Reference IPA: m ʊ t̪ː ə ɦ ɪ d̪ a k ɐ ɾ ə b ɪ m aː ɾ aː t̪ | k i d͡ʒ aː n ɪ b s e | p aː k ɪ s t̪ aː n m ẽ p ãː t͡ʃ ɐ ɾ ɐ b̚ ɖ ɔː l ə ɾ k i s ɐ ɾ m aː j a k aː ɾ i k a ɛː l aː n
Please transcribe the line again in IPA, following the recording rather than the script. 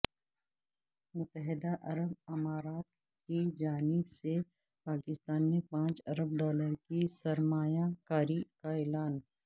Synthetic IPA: m ʊ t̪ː ə ɦ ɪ d̪ a ʔ ɐ ɾ ə b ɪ m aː ɾ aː t̪ | k i d͡ʒ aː n ɪ b s e | p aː k ɪ s t̪ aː n m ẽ p ãː t͡ʃ ɐ ɾ ə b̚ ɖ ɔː l ə ɾ k i s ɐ ɾ m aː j a k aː ɾ i k a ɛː l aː n